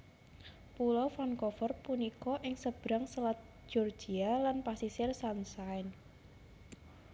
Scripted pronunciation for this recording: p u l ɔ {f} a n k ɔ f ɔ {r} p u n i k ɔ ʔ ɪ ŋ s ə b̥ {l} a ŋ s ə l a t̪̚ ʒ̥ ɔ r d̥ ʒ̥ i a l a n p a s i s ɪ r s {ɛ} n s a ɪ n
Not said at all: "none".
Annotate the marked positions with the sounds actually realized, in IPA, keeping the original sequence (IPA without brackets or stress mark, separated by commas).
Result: f, r, ɾ, a